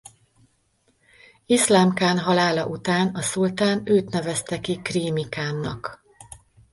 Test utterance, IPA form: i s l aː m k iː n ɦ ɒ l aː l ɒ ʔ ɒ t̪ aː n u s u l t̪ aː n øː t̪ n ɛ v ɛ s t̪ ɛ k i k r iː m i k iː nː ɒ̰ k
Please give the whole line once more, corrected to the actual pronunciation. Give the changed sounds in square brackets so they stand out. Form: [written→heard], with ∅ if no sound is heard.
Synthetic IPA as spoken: i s l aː m k [iː→aː] n ɦ ɒ l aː l ɒ ʔ [ɒ→u] t̪ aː n [u→ɒ] s u l t̪ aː n øː t̪ n ɛ v ɛ s t̪ ɛ k i k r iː m i k [iː→aː] nː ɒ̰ k